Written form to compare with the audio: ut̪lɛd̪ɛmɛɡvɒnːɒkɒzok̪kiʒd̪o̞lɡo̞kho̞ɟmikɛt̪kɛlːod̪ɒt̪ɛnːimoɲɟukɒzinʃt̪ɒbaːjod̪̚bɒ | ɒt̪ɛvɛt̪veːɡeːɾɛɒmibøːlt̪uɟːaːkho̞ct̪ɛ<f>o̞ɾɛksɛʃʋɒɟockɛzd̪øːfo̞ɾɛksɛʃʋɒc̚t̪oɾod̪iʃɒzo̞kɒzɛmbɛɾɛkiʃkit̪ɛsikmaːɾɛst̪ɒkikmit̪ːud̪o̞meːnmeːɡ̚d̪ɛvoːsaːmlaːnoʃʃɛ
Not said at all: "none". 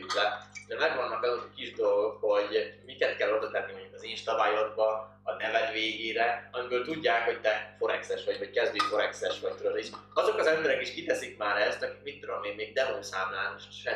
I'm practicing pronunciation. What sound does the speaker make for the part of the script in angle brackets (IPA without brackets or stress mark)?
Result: f